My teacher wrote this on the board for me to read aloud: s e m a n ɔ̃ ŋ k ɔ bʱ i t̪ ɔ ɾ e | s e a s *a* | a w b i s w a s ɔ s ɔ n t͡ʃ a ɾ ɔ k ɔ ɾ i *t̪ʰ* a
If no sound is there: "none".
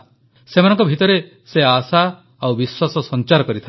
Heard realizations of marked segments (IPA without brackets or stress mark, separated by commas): a, t̪ʰ